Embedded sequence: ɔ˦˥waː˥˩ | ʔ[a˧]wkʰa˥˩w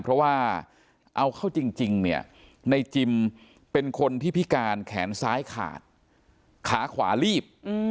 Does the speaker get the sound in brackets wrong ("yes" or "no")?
no